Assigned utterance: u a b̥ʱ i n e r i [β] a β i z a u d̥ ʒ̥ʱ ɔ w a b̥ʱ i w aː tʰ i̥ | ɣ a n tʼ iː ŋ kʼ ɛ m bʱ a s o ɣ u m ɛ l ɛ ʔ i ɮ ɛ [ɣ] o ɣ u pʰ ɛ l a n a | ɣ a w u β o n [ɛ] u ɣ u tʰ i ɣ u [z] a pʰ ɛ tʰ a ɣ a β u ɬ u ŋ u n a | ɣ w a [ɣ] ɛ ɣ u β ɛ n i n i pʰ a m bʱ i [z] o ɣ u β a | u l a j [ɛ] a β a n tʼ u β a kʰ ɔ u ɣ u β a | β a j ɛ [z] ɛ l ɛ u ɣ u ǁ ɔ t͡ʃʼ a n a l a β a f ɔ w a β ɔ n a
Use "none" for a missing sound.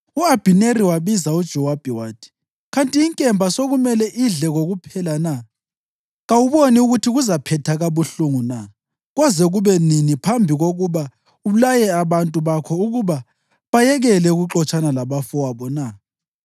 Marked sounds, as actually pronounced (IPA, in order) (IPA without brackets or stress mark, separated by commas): w, ɣ, i, z, z, ɣ, ɛ, ɣ